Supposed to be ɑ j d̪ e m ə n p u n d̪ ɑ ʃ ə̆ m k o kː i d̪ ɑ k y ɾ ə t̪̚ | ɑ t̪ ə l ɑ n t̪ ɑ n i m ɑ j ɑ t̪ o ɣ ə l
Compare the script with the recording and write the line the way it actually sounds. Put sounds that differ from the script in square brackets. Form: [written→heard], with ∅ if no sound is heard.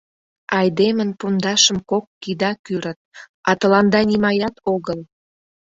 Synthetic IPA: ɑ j d̪ e m ə n p u n d̪ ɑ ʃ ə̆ m k o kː i d̪ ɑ k y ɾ ə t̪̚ | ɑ t̪ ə l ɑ n [t̪→d̪] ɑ n i m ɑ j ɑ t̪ o ɣ ə l